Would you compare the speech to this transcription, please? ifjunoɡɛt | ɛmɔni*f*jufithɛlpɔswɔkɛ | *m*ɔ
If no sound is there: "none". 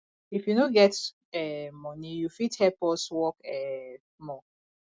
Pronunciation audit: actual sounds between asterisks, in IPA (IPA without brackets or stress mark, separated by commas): none, m